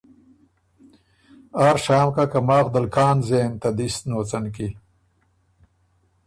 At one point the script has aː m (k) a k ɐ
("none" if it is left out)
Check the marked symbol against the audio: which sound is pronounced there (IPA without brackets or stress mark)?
k